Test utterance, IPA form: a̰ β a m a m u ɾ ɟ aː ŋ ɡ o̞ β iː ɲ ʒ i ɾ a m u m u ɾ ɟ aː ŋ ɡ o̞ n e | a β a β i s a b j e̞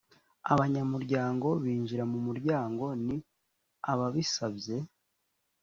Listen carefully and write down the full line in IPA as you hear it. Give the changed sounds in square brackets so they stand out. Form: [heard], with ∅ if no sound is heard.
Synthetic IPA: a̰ β a [ɲ] a m u ɾ ɟ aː ŋ ɡ o̞ β iː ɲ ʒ i ɾ a m u m u ɾ ɟ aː ŋ ɡ o̞ n [i] | a β a β i s a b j e̞